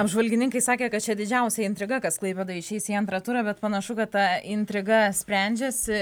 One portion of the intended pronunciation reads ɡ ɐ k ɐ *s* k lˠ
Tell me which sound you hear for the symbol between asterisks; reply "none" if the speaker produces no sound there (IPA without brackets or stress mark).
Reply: s